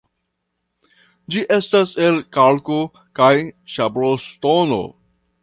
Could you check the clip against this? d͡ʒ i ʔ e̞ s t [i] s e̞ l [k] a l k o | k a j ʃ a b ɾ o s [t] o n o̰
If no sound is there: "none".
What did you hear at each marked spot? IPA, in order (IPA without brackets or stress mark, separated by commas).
a, k, t